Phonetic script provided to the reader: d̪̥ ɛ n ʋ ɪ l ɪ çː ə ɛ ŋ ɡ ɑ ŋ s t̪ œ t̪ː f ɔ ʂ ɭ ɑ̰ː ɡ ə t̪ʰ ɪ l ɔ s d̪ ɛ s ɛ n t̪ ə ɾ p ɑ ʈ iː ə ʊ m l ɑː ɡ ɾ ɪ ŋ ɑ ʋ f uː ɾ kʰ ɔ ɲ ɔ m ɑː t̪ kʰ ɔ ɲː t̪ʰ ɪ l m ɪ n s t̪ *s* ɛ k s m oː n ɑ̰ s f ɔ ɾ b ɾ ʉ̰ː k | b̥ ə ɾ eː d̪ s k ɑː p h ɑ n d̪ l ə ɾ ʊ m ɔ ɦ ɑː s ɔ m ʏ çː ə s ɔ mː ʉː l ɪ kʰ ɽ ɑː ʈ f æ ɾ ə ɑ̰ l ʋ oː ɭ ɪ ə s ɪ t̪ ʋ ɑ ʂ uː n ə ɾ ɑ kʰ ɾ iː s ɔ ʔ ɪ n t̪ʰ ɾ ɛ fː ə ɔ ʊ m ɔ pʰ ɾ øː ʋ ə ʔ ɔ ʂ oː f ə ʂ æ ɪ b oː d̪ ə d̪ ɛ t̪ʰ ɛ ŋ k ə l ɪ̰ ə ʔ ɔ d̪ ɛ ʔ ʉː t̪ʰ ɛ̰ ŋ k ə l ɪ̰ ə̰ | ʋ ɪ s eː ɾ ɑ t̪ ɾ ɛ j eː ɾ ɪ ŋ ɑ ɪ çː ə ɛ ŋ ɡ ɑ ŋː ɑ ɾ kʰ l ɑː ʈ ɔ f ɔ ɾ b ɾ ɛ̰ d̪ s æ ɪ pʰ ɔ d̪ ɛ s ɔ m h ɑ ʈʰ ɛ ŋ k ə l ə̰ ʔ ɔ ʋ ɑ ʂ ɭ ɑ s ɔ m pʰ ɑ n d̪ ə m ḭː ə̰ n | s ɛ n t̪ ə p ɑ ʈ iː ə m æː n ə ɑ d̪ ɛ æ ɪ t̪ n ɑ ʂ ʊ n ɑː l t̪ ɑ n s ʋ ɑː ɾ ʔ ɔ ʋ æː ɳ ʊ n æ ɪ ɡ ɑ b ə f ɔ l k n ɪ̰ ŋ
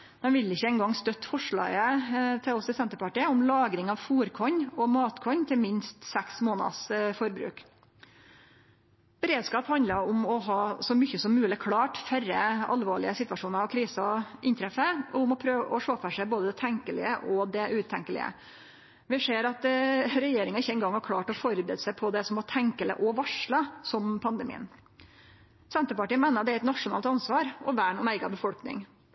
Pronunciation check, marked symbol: correct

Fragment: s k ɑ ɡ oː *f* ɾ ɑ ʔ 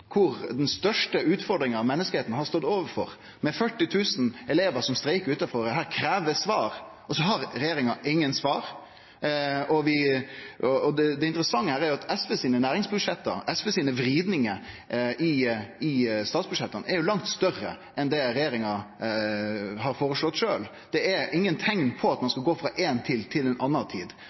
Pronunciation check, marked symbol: correct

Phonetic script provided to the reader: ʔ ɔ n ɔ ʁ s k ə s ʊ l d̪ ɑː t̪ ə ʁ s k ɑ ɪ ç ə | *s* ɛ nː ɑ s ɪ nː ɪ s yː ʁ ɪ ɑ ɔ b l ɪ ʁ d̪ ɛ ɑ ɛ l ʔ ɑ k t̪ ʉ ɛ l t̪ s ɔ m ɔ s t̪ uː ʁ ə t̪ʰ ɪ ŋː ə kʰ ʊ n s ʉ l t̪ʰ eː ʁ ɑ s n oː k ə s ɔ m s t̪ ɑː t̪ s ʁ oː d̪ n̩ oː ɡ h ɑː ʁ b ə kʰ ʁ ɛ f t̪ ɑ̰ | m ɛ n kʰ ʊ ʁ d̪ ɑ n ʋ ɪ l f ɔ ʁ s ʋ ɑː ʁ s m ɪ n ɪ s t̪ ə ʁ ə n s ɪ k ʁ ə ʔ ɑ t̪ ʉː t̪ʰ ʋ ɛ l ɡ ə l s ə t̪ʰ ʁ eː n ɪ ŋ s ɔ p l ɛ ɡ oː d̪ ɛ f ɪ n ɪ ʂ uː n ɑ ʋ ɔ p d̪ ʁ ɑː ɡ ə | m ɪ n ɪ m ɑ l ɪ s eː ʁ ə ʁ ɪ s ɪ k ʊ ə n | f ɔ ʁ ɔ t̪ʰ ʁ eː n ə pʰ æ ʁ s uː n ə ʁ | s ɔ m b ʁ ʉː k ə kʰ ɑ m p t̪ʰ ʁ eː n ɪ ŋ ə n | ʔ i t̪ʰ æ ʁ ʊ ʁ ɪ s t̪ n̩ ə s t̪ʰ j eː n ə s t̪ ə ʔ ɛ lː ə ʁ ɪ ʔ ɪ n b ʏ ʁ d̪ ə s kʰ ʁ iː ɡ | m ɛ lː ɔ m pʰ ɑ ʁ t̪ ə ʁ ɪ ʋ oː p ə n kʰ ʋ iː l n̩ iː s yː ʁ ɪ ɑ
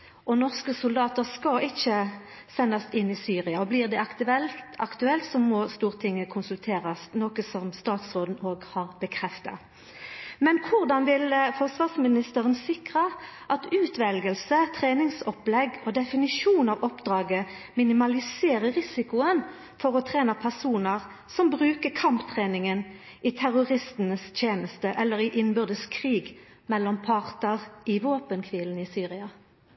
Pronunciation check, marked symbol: correct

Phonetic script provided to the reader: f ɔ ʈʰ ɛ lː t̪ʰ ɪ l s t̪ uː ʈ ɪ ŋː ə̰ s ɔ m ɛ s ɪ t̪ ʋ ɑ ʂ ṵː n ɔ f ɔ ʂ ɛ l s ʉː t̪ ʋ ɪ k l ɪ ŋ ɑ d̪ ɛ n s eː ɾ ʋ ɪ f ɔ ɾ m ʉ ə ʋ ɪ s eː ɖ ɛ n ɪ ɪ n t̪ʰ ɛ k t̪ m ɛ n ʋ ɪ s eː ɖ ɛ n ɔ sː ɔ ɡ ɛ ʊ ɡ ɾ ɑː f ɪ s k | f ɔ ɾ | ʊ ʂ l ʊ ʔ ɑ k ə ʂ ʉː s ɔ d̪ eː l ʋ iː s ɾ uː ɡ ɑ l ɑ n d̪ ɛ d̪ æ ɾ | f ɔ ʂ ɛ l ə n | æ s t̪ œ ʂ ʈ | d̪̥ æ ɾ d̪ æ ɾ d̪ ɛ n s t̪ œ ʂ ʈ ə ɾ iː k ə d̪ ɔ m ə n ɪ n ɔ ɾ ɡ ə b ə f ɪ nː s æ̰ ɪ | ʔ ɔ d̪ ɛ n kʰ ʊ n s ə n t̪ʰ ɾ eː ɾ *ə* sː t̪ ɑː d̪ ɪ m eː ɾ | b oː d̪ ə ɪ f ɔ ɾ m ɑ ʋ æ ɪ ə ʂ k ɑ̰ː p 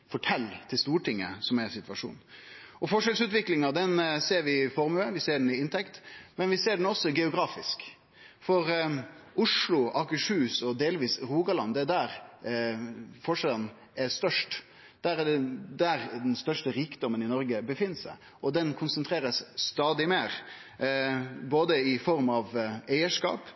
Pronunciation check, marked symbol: correct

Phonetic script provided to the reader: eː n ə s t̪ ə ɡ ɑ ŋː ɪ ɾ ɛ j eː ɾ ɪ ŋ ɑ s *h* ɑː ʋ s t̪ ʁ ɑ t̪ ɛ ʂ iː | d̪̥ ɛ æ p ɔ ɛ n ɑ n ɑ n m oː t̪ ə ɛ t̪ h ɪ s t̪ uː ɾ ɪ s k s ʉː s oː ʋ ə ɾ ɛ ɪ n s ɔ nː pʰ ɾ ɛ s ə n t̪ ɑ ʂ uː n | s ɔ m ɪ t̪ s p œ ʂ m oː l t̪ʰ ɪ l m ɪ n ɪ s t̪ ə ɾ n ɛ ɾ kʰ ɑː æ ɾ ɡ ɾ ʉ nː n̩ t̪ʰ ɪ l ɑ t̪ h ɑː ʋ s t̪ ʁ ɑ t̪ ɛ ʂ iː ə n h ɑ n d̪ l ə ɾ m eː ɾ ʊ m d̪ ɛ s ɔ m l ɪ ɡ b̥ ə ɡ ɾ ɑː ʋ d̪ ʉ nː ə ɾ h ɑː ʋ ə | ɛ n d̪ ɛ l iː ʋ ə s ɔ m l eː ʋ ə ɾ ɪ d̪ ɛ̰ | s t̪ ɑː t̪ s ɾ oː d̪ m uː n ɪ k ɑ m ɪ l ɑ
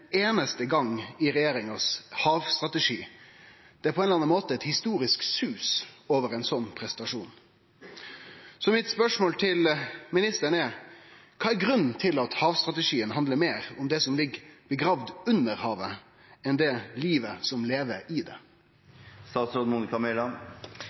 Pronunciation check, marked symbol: correct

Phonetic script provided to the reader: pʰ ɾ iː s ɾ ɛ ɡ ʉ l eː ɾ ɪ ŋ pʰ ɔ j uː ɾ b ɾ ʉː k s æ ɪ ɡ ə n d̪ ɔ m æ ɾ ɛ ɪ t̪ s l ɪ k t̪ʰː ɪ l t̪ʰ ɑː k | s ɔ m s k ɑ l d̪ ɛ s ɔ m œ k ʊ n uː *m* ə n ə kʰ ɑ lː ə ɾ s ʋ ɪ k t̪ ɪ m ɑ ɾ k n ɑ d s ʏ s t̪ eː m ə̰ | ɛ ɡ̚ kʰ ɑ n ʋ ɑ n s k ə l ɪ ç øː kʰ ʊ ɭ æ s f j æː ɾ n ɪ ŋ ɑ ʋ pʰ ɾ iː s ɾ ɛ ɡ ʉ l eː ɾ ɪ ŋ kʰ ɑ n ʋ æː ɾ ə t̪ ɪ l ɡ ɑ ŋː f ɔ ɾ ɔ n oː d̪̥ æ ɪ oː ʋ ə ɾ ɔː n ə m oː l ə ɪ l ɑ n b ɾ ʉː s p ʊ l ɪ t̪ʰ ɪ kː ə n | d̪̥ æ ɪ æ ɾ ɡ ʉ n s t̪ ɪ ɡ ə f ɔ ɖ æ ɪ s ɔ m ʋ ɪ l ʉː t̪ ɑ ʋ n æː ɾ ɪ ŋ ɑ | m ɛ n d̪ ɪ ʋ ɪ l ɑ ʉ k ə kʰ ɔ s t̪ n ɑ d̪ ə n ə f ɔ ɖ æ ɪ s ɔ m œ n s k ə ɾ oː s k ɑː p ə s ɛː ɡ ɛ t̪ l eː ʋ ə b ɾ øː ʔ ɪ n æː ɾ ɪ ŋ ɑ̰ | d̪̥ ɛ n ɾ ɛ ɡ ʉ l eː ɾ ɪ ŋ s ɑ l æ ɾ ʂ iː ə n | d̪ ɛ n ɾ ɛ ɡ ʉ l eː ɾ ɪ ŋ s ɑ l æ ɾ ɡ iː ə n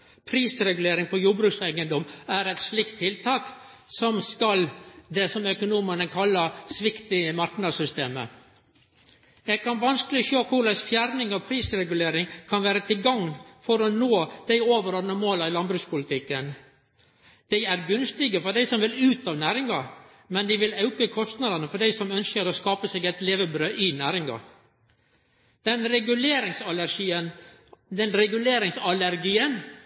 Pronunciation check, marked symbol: correct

